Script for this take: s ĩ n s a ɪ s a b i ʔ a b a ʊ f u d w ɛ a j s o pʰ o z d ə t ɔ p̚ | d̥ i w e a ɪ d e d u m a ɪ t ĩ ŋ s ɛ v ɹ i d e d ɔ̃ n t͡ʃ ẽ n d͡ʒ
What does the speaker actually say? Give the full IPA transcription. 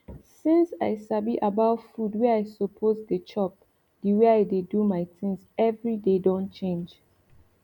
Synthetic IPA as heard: s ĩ n s a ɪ s a b i ʔ a b a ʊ f u d w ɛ a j s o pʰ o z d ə t͡ʃ ɔ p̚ | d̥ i w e a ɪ d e d u m a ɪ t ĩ ŋ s ɛ v ɹ i d e d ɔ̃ n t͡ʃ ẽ n d͡ʒ

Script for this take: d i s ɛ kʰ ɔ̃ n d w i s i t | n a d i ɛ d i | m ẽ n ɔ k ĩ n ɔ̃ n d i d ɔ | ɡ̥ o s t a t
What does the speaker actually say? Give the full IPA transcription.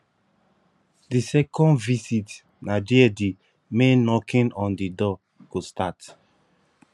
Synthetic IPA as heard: d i s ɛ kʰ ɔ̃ n d v i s i t | n a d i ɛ d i | m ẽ n ɔ k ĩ n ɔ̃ n d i d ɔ | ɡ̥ o s t a t

